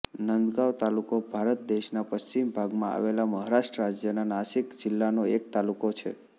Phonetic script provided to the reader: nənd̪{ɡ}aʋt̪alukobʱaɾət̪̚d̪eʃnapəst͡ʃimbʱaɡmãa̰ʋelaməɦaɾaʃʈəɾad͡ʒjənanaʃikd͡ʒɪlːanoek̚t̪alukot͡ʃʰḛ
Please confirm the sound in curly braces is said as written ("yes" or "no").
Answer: yes